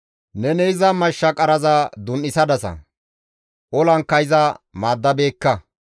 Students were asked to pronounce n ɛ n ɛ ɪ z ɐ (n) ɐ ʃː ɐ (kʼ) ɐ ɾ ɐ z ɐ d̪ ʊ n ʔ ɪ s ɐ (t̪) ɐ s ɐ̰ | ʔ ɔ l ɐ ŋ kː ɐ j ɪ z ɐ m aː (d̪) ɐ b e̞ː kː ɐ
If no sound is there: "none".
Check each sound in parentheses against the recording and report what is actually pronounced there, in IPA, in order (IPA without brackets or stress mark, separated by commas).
m, kʼ, d̪, d̪ː